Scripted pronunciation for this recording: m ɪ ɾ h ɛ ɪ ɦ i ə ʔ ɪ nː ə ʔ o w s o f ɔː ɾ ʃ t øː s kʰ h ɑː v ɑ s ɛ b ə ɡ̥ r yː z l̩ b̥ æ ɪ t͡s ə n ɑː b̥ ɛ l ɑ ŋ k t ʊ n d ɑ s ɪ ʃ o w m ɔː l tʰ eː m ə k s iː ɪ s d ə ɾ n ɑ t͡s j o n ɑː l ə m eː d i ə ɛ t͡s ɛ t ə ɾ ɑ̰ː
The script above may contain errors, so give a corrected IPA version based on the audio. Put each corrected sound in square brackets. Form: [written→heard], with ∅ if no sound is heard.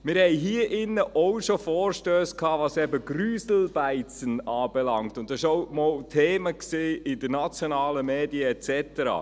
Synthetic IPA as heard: m ɪ ɾ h ɛ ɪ ɦ i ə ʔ ɪ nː ə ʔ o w [s→ʃ] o f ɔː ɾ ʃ t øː s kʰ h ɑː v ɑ s ɛ b ə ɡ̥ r yː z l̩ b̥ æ ɪ t͡s ə n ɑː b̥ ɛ l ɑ ŋ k t ʊ n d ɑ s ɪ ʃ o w m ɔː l tʰ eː m ə k s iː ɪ [s→∅] d ə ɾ n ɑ t͡s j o n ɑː l ə m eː d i ə ɛ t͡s ɛ t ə ɾ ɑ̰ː